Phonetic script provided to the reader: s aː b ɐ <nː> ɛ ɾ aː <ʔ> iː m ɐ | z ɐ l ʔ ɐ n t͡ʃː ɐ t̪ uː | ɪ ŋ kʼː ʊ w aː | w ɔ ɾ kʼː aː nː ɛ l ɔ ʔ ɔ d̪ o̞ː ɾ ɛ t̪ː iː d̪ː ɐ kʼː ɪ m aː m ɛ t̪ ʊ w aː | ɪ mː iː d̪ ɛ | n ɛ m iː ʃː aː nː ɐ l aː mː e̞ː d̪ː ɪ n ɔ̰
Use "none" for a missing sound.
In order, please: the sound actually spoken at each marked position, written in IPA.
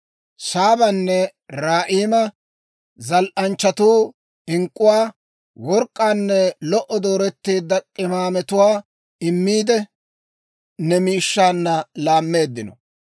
nː, ʔ

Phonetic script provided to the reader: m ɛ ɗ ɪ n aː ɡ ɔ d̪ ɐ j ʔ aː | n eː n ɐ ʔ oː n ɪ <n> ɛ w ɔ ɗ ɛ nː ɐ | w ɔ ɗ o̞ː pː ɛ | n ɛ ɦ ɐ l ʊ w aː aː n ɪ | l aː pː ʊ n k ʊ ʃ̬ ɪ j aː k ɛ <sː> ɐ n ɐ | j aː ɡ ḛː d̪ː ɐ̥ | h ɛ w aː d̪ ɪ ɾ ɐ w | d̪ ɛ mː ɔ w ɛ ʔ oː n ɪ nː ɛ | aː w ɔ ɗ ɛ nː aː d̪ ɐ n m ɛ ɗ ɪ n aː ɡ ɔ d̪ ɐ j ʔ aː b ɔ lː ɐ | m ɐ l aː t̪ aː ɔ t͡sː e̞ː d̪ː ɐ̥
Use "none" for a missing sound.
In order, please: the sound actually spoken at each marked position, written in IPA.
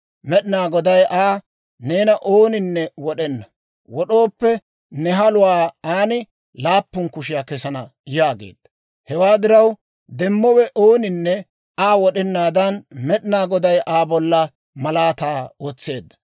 nː, s

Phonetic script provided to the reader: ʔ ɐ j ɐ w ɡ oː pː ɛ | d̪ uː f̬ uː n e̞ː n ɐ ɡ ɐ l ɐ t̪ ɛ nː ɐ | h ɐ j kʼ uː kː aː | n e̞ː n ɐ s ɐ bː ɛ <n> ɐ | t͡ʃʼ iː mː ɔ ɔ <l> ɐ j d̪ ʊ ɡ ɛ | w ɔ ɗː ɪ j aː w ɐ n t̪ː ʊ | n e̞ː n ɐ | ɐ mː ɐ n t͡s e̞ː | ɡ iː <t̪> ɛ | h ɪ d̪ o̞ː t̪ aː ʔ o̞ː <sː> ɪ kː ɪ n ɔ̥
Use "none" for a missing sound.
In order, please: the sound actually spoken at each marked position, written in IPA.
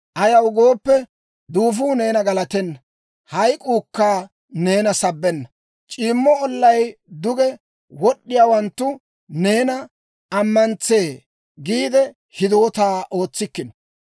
nː, lː, d̪, t͡sː

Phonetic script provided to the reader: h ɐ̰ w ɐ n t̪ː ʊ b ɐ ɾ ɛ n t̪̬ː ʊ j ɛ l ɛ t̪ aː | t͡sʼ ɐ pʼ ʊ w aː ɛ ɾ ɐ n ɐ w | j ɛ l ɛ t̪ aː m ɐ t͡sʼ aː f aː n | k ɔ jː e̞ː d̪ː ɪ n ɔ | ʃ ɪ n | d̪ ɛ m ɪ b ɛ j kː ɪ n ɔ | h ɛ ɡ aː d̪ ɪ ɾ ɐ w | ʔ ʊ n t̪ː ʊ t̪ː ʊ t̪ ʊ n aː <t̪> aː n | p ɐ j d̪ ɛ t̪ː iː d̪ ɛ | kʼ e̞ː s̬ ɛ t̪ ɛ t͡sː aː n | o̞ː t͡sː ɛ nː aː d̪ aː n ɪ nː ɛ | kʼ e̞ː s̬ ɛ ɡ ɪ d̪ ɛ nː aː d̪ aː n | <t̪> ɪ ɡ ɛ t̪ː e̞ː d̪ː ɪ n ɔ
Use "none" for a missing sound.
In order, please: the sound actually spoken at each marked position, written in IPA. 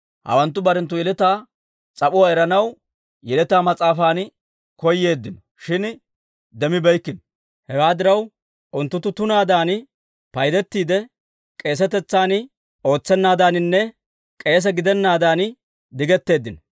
d̪, d̪

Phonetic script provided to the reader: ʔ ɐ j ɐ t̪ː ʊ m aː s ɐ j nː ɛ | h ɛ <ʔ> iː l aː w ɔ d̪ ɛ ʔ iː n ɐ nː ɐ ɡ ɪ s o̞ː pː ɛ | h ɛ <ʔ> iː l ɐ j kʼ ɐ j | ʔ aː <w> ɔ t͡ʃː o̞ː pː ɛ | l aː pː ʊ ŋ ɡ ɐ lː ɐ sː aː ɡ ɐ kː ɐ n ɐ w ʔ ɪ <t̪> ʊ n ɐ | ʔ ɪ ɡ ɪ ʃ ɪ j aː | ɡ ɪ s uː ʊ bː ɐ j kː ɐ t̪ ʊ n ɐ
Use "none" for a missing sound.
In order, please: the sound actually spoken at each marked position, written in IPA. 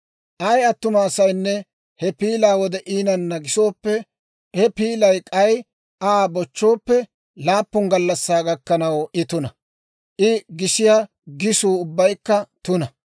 p, p, b, t̪

